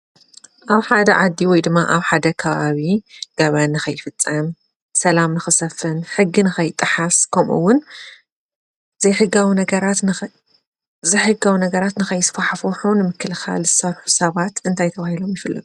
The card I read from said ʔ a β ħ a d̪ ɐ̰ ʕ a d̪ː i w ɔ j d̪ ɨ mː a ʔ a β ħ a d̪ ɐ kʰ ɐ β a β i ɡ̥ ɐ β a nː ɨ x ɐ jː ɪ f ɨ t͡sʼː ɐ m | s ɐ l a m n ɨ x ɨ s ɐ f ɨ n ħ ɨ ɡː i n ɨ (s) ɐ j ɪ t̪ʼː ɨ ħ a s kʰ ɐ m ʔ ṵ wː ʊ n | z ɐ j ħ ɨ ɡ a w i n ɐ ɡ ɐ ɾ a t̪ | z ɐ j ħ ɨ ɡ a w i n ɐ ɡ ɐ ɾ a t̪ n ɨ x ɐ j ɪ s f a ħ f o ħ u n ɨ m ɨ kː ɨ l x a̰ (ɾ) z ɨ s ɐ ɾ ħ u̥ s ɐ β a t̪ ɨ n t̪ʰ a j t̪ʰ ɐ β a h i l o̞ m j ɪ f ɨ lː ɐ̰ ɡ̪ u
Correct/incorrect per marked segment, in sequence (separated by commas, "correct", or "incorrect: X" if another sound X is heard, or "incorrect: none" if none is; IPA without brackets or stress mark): incorrect: x, incorrect: l